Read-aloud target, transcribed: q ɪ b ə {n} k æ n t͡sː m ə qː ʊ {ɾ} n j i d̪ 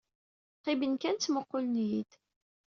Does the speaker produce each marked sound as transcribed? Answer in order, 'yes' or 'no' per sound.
yes, no

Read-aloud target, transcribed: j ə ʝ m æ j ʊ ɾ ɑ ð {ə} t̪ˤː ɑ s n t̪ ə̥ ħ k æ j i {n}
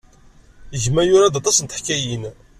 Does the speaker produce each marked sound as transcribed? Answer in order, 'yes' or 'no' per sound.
no, yes

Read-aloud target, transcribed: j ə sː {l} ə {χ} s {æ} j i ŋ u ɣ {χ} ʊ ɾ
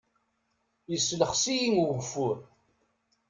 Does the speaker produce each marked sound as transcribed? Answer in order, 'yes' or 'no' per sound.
yes, yes, no, no

